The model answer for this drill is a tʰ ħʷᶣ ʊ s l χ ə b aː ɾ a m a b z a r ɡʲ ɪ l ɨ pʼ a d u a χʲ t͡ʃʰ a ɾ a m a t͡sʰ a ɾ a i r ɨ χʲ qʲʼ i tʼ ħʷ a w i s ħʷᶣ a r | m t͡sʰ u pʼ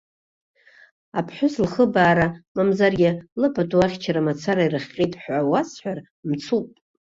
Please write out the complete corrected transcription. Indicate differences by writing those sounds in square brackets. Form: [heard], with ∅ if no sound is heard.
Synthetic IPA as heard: a [pʰ] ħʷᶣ ʊ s l χ ə b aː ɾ a m a [m] z a r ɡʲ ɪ l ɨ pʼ a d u a χʲ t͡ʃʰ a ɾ a m a t͡sʰ a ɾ a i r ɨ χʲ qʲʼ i tʼ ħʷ a w [a] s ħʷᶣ a r | m t͡sʰ u pʼ